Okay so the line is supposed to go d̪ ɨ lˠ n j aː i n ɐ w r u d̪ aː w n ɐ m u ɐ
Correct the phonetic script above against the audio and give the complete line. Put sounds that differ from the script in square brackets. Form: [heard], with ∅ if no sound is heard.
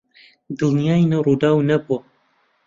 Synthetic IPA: d̪ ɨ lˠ n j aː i n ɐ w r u d̪ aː w n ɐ [b] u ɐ